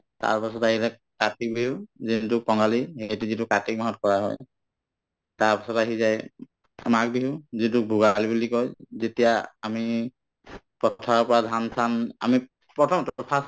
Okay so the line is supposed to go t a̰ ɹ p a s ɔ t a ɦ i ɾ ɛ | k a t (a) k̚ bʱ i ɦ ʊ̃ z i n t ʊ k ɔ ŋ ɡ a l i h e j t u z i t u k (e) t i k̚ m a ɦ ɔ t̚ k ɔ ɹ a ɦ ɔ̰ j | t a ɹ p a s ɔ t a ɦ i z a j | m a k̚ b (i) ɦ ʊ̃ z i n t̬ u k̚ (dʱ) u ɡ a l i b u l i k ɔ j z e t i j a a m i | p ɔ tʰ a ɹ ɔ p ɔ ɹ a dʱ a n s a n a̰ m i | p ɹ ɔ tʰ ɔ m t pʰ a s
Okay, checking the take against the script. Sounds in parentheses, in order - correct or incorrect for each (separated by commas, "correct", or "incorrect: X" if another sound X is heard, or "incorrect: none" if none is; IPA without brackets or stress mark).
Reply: incorrect: i, incorrect: a, correct, incorrect: bʱ